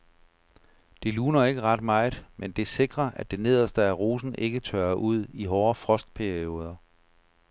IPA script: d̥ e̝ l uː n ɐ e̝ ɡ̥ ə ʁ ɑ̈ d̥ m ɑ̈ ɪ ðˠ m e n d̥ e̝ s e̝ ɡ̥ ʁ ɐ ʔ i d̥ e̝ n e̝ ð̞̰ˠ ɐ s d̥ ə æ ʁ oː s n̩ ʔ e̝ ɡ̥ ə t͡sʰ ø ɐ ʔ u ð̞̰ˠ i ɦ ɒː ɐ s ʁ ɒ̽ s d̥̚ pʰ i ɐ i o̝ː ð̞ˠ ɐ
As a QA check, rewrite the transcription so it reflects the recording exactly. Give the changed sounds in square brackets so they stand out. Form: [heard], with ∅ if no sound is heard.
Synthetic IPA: d̥ e̝ l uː n ɐ e̝ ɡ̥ ə ʁ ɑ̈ d̥ m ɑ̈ ɪ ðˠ m e n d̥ e̝ s e̝ ɡ̥ ʁ ɐ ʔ [æ] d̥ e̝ n e̝ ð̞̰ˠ ɐ s d̥ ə æ ʁ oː s n̩ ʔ e̝ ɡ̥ ə t͡sʰ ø ɐ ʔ u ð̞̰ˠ i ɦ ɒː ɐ [f] ʁ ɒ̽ s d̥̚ pʰ [æ] ɐ i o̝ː ð̞ˠ ɐ

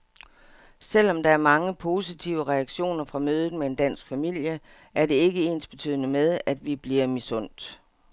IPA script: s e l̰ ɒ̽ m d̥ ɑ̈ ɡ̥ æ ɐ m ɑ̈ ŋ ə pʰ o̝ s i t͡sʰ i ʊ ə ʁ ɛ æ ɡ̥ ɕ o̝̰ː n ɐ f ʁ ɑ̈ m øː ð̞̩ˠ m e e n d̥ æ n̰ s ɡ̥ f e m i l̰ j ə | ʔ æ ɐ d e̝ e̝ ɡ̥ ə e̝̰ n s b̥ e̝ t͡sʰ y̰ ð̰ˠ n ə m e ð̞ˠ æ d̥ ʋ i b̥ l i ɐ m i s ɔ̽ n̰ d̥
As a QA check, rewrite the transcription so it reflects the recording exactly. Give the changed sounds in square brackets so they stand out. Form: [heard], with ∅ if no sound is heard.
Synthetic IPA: s e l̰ ɒ̽ m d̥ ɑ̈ [∅] æ ɐ m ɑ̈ ŋ ə pʰ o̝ s i t͡sʰ i ʊ ə ʁ ɛ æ ɡ̥ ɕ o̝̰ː n ɐ f ʁ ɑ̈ m øː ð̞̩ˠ m e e n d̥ æ n̰ s ɡ̥ f [æ] m i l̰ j ə | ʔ æ ɐ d e̝ e̝ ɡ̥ ə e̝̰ n s b̥ e̝ t͡sʰ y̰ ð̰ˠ n ə m e ð̞ˠ æ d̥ ʋ i b̥ l i ɐ m i s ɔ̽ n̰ d̥

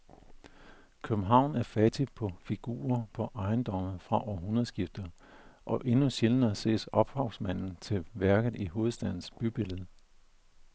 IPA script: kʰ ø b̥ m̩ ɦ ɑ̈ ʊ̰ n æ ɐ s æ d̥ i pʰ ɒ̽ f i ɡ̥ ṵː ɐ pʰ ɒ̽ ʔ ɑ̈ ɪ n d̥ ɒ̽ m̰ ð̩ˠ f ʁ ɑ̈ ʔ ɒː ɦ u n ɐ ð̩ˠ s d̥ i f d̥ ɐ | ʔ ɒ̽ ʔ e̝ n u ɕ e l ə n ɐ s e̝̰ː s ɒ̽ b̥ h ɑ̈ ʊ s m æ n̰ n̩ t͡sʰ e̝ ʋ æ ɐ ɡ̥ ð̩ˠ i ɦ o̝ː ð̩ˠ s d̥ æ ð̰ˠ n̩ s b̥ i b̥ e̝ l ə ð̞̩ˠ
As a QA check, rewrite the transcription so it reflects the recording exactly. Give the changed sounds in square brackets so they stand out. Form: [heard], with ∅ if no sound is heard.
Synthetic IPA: kʰ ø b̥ m̩ ɦ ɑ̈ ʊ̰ n æ ɐ [f] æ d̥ i pʰ ɒ̽ f i ɡ̥ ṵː ɐ pʰ ɒ̽ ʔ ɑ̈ ɪ n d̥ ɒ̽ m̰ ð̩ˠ f ʁ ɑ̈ ʔ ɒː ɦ u n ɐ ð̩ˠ s [ɡ̥] i f d̥ ɐ | ʔ ɒ̽ ʔ e̝ n u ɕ e l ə n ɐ s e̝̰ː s ɒ̽ b̥ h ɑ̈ ʊ s m æ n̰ n̩ t͡sʰ e̝ ʋ æ ɐ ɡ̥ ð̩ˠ i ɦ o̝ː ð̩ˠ s d̥ æ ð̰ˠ n̩ s b̥ [y] b̥ e̝ l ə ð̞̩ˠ

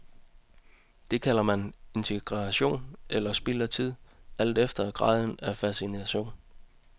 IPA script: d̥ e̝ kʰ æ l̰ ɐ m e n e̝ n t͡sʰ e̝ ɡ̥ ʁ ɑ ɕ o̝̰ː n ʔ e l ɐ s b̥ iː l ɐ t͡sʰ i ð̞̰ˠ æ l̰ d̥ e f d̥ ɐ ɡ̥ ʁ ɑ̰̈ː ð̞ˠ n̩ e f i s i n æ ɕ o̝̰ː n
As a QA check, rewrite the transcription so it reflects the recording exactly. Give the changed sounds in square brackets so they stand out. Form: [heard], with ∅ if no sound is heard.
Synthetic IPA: d̥ e̝ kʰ æ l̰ ɐ m [æ] n e̝ n t͡sʰ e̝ ɡ̥ ʁ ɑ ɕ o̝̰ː n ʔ e l ɐ s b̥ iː l ɐ t͡sʰ i ð̞̰ˠ æ l̰ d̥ e f d̥ ɐ ɡ̥ ʁ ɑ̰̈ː ð̞ˠ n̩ [æ] f [æ] s i n æ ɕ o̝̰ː n

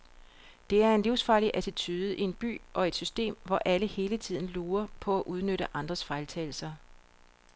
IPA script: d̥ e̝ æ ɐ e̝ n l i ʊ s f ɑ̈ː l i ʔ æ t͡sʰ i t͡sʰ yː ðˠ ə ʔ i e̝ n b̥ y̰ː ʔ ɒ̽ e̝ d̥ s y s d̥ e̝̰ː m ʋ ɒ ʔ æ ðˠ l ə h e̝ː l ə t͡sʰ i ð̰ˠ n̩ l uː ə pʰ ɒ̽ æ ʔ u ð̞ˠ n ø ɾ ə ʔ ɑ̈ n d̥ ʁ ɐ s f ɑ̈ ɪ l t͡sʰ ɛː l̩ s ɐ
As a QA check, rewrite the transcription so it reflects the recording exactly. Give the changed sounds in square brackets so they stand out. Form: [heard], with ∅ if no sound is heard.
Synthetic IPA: d̥ e̝ æ ɐ e̝ n l i ʊ s f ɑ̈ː l i ʔ æ t͡sʰ i t͡sʰ yː ðˠ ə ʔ i e̝ n b̥ y̰ː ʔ ɒ̽ e̝ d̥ s y s d̥ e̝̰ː m ʋ ɒ ʔ æ [∅] l ə h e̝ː l ə t͡sʰ i ð̰ˠ n̩ l uː [ɐ] pʰ ɒ̽ æ ʔ u ð̞ˠ n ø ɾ ə ʔ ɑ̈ n d̥ ʁ ɐ s f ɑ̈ ɪ l t͡sʰ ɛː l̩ s ɐ

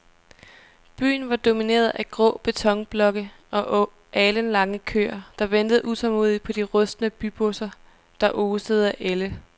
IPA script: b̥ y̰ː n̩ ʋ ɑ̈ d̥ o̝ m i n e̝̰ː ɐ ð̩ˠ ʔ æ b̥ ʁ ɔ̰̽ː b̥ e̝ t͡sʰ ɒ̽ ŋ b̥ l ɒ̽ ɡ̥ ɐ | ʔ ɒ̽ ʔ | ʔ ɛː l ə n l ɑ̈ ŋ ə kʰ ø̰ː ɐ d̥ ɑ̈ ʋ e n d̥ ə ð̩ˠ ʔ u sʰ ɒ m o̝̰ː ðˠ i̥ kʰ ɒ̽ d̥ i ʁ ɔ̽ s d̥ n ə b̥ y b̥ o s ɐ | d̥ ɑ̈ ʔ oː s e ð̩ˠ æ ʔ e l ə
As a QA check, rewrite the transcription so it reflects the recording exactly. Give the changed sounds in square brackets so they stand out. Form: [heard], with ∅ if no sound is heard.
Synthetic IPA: b̥ y̰ː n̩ ʋ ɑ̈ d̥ o̝ m i n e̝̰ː ɐ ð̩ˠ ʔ æ [ɡ̥] ʁ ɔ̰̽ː b̥ e̝ t͡sʰ ɒ̽ ŋ b̥ l ɒ̽ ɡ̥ [ə] | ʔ ɒ̽ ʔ | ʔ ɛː l ə n l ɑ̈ ŋ ə kʰ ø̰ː ɐ d̥ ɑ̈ ʋ e n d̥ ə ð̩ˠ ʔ u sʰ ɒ m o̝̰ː ðˠ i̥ [pʰ] ɒ̽ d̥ i ʁ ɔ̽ s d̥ n ə b̥ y b̥ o s ɐ | d̥ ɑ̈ ʔ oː s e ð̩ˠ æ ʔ e l ə

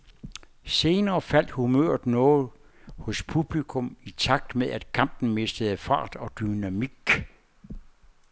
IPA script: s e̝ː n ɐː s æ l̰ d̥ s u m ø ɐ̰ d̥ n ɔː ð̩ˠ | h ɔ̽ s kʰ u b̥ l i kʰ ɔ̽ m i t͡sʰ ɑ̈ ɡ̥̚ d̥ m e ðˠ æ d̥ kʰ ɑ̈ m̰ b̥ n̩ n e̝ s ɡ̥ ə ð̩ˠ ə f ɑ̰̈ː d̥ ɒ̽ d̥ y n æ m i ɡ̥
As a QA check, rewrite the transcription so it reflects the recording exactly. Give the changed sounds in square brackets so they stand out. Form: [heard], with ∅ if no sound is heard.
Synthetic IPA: s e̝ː n ɐː [f] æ l̰ d̥ [h] u m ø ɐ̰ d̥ n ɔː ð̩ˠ | h ɔ̽ s [pʰ] u b̥ l i kʰ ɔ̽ m i t͡sʰ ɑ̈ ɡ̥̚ d̥ m e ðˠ æ d̥ kʰ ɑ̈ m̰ b̥ n̩ [m] e̝ s [d̥] ə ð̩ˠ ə f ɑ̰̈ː d̥ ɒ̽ d̥ y n æ m i ɡ̥

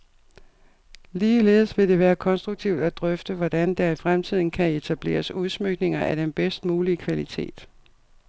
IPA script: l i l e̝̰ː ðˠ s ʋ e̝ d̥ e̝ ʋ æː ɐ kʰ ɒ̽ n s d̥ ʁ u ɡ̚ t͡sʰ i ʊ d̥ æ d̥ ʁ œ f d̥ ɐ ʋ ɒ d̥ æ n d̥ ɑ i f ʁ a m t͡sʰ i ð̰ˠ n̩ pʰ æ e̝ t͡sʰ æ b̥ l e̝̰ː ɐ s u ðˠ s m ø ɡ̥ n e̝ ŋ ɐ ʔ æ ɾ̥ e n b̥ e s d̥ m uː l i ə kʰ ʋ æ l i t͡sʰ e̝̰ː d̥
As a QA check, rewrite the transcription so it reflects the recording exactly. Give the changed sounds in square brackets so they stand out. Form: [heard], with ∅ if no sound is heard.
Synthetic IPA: l [iː] l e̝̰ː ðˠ s ʋ e̝ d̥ e̝ ʋ æː ɐ kʰ ɒ̽ n s d̥ ʁ u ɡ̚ t͡sʰ i ʊ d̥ æ d̥ ʁ œ f d̥ [ə] ʋ ɒ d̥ æ n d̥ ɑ i f ʁ a m t͡sʰ i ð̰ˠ n̩ [kʰ] æ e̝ t͡sʰ æ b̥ l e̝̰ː ɐ s u ðˠ s m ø ɡ̥ n e̝ ŋ ɐ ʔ æ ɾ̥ e n b̥ e s d̥ m uː l i ə kʰ ʋ æ l i t͡sʰ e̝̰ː d̥

